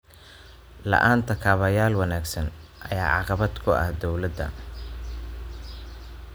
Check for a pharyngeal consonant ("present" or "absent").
present